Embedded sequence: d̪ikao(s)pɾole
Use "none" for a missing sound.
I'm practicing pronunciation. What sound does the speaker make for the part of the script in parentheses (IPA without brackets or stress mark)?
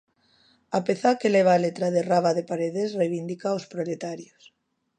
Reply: s